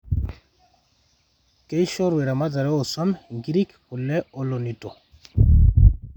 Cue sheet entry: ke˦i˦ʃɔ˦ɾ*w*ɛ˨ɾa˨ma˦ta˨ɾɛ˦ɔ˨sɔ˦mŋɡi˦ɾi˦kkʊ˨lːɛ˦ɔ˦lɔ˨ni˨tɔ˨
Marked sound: correct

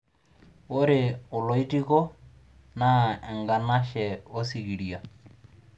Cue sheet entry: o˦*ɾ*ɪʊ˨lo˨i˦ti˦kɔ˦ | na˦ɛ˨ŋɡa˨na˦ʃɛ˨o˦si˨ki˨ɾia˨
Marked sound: correct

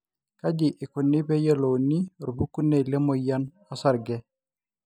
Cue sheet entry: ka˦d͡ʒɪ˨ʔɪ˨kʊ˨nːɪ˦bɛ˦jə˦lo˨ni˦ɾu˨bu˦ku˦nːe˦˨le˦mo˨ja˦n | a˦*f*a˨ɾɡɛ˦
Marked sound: incorrect: s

